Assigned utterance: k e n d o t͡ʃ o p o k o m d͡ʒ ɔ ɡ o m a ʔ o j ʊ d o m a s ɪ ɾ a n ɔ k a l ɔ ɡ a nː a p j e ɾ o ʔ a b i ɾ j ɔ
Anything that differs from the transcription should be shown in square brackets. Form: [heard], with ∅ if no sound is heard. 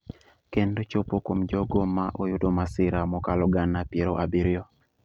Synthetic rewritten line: k e n d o t͡ʃ o p o k o m d͡ʒ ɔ ɡ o m a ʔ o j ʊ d o m a s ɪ ɾ a [m] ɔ k a l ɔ ɡ a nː a p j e ɾ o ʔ a b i ɾ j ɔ